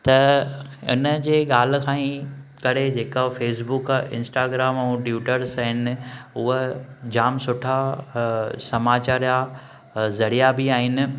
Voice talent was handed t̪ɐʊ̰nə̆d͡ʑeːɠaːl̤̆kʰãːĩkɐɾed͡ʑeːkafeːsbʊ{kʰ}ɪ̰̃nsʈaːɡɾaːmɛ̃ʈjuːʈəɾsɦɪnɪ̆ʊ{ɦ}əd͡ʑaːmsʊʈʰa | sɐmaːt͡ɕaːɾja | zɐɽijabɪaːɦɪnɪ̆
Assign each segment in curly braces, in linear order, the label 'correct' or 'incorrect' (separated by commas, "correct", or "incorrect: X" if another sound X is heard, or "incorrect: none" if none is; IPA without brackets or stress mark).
incorrect: k, correct